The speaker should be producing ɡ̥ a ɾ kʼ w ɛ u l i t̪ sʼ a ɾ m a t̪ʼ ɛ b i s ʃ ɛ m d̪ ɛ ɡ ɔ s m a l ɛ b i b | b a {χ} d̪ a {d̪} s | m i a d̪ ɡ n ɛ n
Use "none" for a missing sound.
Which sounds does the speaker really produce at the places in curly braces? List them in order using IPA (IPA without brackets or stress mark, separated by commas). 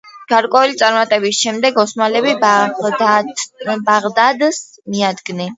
ʁ, d̪